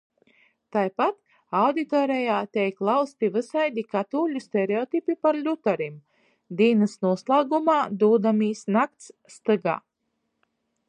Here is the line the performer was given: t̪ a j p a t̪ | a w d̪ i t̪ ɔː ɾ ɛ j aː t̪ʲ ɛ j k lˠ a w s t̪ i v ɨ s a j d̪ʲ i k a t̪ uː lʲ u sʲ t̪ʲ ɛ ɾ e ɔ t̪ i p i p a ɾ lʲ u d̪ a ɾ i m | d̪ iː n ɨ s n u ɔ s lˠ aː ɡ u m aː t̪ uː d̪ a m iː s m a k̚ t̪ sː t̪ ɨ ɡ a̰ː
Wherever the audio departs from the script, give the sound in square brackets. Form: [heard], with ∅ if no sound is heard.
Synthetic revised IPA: t̪ a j p a t̪ | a w d̪ i t̪ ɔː ɾ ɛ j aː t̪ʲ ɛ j k lˠ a w s t̪ i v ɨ s a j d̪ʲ i k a t̪ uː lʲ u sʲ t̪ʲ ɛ ɾ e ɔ t̪ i p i p a ɾ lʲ u [t̪] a ɾ i m | d̪ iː n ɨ s n u ɔ s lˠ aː ɡ u m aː [d̪] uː d̪ a m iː s [n] a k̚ t̪ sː t̪ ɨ ɡ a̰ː